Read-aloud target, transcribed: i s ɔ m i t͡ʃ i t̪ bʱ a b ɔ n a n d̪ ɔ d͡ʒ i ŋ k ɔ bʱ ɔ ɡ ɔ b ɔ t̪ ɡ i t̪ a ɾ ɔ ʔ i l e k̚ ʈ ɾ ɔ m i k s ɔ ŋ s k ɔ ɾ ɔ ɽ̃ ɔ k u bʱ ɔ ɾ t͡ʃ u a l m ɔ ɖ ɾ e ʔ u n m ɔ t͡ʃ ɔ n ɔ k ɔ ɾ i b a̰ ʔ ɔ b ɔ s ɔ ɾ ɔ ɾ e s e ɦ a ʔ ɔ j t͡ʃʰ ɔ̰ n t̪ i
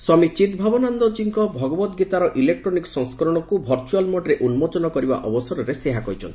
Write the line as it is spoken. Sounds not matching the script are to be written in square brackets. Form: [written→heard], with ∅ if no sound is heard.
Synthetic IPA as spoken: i s ɔ m i t͡ʃ i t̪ bʱ a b ɔ n a n d̪ ɔ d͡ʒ i ŋ k ɔ bʱ ɔ ɡ ɔ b ɔ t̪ ɡ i t̪ a ɾ ɔ ʔ i l e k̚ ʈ ɾ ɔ [m→n] i k s ɔ ŋ s k ɔ ɾ ɔ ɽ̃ ɔ k u bʱ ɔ ɾ t͡ʃ u a l m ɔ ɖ ɾ e ʔ u n m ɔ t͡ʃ ɔ n ɔ k ɔ ɾ i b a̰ ʔ ɔ b ɔ s ɔ ɾ ɔ ɾ e s e ɦ a [ʔ→k] ɔ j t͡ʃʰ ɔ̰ n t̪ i